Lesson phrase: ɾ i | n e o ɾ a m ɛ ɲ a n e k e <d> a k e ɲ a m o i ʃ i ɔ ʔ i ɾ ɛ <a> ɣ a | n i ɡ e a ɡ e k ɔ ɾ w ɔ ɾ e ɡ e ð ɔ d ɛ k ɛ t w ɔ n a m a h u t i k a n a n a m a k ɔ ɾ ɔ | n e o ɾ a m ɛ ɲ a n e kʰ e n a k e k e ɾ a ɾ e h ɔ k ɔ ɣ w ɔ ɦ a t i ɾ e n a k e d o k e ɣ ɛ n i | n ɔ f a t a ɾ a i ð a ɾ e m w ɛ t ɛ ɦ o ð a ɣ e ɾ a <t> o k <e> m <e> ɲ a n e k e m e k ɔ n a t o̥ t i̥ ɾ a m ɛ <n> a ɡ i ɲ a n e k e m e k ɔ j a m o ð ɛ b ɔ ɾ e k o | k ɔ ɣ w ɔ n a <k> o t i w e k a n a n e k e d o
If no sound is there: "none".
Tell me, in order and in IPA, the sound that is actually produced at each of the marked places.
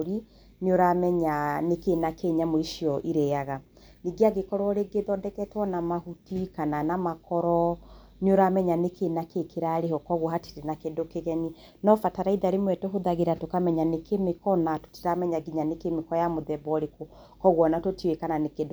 n, a, t, a, ɛ, ɲ, t

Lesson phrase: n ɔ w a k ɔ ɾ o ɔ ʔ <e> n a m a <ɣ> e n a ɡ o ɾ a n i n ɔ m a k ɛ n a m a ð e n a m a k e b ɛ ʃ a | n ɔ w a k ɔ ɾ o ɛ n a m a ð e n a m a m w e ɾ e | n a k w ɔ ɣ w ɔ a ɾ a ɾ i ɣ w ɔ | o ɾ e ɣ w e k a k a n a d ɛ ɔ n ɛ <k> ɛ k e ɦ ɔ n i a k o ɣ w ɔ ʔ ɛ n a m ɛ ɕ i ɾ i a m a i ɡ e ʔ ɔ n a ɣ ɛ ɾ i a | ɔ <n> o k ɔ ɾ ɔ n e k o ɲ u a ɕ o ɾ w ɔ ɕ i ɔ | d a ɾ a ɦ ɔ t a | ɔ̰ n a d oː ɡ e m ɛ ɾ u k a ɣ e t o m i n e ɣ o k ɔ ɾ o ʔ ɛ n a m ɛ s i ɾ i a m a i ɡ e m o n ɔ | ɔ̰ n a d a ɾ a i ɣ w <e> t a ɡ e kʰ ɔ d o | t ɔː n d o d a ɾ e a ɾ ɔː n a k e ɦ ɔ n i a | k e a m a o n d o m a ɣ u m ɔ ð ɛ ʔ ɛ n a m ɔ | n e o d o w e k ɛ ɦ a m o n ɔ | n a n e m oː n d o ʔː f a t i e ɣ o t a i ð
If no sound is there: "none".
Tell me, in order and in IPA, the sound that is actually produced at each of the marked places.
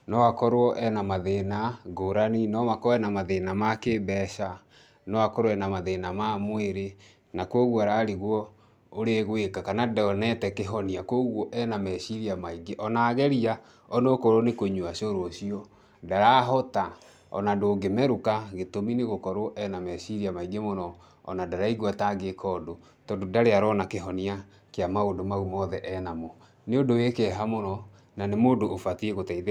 ɛ, ð, t, n, a

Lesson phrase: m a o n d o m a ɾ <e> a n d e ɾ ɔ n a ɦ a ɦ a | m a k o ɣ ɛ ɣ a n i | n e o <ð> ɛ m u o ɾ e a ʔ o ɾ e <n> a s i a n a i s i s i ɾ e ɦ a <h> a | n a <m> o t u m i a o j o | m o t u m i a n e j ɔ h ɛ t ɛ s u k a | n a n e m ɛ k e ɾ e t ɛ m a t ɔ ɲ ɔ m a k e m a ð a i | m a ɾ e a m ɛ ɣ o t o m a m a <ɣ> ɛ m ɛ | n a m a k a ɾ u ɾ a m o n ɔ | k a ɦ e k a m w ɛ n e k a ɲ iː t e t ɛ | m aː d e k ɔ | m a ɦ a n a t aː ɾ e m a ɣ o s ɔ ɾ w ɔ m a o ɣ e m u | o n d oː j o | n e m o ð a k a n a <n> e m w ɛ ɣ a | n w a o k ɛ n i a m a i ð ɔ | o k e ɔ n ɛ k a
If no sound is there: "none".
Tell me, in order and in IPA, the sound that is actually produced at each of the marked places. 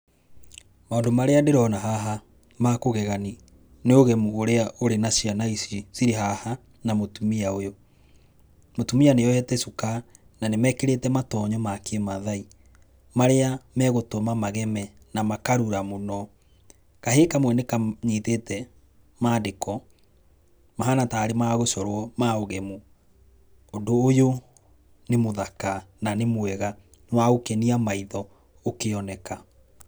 e, ɣ, n, h, m, ɣ, n

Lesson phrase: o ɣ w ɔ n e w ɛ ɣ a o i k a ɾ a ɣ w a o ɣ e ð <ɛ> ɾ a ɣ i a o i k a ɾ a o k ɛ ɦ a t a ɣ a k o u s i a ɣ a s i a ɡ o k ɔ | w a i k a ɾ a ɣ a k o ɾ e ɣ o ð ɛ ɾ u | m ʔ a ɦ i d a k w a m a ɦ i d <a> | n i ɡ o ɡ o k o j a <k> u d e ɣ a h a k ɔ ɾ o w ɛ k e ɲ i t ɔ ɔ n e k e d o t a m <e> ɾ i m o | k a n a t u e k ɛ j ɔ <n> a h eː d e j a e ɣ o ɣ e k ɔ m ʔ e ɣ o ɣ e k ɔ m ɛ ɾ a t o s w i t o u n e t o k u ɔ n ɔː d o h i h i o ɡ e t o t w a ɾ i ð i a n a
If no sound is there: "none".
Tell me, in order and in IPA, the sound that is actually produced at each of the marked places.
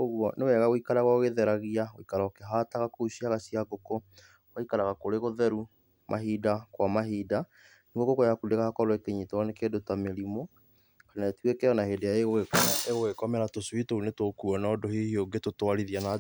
ɛ, a, k, e, n

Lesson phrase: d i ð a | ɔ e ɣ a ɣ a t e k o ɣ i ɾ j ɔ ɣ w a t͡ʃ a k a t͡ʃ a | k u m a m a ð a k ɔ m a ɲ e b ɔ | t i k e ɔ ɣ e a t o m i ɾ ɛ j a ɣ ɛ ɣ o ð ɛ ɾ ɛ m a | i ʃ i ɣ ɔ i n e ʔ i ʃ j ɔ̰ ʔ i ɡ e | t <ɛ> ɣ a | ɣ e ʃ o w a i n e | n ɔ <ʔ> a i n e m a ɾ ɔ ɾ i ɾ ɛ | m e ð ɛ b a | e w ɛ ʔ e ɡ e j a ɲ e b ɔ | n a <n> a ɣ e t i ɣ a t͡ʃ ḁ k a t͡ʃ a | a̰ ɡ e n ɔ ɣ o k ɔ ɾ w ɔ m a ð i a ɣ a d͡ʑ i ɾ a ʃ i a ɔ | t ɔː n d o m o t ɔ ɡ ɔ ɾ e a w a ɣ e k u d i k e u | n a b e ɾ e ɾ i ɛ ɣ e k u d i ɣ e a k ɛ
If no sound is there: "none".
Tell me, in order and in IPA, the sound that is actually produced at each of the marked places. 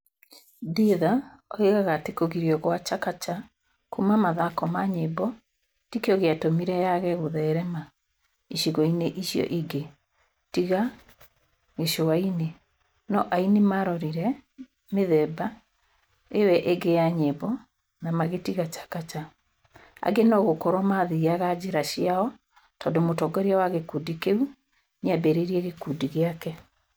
i, ʔ, m

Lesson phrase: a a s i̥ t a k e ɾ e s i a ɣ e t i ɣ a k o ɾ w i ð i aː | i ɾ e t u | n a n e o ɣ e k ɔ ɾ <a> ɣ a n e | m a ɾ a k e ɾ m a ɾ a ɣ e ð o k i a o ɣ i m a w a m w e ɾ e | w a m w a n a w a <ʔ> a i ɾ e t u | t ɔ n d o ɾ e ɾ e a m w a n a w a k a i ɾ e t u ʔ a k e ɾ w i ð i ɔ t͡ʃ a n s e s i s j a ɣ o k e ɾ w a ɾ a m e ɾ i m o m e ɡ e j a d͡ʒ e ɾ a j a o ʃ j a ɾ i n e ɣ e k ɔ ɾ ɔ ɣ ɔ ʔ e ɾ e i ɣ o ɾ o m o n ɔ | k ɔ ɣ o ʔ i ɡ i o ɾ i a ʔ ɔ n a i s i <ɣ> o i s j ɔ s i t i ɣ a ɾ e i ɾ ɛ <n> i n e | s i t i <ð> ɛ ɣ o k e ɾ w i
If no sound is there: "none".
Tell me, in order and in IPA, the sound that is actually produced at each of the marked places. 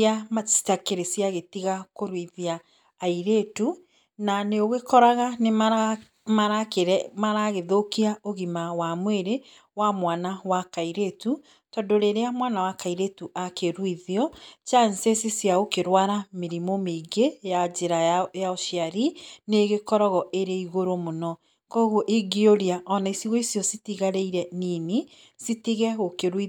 a, k, ɣ, n, ɣ

